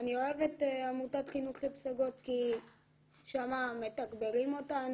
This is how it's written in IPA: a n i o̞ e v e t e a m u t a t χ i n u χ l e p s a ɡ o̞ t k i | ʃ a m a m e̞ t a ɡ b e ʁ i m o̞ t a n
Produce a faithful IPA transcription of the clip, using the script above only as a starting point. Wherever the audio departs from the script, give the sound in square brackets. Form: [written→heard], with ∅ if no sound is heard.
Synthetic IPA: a n i o̞ e v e t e a m u t a t χ i n u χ l e p s a ɡ o̞ t k i | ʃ a m a m e̞ t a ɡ b e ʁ i m o̞ t a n